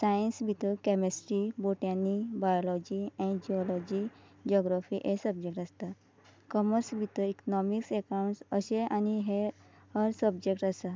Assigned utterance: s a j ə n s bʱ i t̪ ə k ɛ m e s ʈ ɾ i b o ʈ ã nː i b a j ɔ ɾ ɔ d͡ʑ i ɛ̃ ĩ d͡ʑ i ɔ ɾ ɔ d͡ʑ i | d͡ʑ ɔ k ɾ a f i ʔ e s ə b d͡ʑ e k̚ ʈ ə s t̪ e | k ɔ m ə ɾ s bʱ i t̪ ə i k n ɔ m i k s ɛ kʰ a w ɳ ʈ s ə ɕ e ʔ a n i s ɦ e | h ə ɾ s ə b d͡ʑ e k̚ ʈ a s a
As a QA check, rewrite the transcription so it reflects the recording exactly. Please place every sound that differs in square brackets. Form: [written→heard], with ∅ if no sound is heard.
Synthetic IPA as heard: s a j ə n s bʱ i t̪ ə k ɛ m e s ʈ ɾ i b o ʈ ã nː i b a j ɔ [ɾ→l] ɔ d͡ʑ i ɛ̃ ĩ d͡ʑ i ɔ [ɾ→l] ɔ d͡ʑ i | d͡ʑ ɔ [k→ɡ] ɾ a f i ʔ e s ə b d͡ʑ e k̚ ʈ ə s t̪ [e→a] | k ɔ m ə ɾ s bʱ i t̪ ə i k n ɔ m i k s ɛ [kʰ→k] a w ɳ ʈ s ə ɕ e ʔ a n i [s→∅] ɦ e | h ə ɾ s ə b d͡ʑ e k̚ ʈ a s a